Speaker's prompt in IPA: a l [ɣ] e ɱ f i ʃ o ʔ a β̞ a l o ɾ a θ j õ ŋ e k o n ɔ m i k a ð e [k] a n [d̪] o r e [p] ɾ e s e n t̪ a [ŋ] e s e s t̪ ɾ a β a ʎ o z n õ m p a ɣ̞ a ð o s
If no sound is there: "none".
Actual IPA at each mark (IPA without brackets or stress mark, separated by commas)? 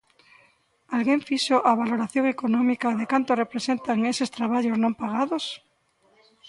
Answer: ɣ, k, t̪, p, ŋ